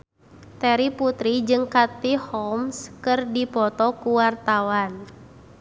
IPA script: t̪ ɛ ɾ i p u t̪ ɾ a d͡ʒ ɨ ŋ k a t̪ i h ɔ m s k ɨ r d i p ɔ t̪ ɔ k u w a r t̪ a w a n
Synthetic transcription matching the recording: t̪ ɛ ɾ i p u t̪ ɾ i d͡ʒ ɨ ŋ k a t̪ i h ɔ m s k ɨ r d i p ɔ t̪ ɔ k u w a r t̪ a w a n